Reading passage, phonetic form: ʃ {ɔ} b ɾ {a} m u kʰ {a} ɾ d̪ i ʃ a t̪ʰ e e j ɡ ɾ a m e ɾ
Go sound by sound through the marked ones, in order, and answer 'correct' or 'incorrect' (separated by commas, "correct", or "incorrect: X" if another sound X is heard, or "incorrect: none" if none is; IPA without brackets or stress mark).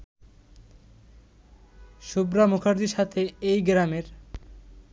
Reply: incorrect: u, correct, correct